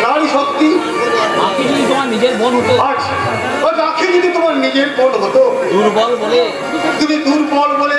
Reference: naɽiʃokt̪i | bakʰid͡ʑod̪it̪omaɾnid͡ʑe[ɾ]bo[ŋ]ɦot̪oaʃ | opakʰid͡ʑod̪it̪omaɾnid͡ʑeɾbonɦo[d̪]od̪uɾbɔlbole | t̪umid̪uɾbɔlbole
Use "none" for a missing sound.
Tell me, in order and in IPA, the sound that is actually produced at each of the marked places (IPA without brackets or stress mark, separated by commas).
ɾ, n, t̪